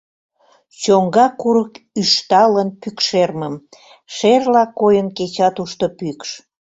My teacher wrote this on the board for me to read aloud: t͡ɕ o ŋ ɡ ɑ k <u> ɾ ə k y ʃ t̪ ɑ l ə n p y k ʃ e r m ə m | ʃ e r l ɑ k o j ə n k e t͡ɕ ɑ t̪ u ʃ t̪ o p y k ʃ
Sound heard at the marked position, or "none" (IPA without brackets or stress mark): u